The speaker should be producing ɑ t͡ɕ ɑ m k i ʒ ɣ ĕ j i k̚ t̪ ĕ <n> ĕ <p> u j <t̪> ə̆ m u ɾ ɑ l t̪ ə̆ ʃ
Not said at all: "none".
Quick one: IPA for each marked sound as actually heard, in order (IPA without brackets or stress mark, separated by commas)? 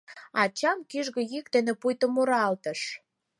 n, p, t̪